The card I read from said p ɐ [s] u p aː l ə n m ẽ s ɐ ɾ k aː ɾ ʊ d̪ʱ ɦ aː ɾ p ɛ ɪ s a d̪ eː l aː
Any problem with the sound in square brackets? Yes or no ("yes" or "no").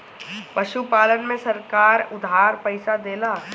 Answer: yes